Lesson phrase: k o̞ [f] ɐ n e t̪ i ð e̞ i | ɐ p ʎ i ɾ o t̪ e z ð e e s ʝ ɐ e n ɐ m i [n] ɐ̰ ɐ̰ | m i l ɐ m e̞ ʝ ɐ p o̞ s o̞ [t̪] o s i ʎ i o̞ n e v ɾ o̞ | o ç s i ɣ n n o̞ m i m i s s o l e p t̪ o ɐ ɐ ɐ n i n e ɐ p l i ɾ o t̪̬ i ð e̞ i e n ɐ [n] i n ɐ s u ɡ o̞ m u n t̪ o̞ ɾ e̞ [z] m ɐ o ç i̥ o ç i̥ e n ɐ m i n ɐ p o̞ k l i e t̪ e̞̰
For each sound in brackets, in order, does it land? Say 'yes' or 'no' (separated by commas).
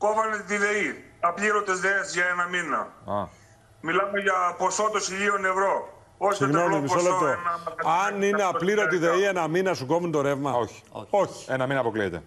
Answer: no, yes, yes, no, no